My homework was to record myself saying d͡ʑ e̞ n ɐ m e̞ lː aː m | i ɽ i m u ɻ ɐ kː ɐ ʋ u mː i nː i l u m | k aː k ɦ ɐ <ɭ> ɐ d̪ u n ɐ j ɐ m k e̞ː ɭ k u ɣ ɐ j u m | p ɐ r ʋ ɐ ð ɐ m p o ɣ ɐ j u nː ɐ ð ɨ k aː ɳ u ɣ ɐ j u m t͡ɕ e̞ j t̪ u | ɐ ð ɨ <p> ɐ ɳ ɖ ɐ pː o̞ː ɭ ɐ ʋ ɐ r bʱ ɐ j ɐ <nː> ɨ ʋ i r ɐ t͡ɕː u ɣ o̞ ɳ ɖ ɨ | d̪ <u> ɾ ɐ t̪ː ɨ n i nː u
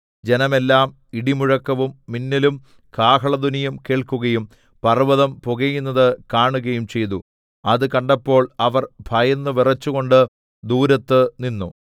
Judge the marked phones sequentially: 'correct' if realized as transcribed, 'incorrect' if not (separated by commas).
correct, incorrect, correct, incorrect